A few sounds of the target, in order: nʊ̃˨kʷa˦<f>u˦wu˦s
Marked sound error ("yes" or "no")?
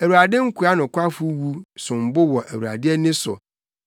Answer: no